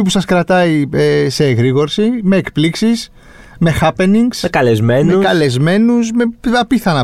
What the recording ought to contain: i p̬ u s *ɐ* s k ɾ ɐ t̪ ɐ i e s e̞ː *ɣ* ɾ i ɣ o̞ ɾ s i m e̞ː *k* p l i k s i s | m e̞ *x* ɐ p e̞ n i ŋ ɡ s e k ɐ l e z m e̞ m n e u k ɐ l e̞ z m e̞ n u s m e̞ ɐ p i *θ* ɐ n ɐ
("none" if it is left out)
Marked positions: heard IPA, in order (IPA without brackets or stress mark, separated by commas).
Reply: ɐ, ɣ, k, x, θ